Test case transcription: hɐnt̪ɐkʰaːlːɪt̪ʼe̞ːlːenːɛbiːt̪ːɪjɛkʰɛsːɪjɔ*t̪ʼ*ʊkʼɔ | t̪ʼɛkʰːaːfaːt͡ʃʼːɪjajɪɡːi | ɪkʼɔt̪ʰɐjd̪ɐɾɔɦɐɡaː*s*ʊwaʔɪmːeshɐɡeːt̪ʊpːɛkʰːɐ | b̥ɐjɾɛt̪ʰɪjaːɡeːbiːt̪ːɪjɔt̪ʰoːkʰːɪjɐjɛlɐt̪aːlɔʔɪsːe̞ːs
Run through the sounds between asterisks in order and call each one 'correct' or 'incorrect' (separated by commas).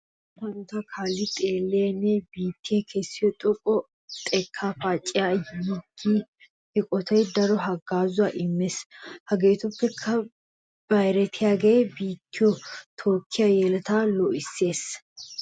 correct, incorrect